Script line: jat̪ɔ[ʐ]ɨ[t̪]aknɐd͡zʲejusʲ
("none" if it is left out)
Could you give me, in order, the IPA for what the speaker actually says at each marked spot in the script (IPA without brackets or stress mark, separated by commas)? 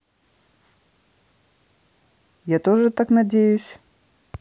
ʐ, t̪